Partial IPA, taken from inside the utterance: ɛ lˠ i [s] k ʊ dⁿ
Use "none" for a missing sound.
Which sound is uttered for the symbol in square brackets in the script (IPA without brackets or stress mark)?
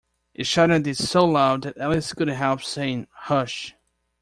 s